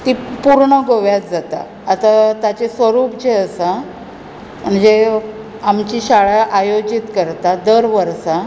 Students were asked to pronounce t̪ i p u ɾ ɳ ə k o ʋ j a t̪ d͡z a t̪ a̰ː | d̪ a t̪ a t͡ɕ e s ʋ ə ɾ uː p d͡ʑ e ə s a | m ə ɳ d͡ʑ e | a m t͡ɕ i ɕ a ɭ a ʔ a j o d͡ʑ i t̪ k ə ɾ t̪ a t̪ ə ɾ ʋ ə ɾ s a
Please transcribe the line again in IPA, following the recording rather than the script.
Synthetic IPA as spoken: t̪ i p u ɾ ɳ ə ɡ o ʋ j a t̪ d͡z a t̪ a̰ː | t̪ a t̪ a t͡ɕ e s ʋ ə ɾ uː p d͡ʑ e ə s a | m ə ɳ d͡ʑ e | a m t͡ɕ i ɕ a ɭ a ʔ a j o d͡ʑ i t̪ k ə ɾ t̪ a d̪ ə ɾ ʋ ə ɾ s a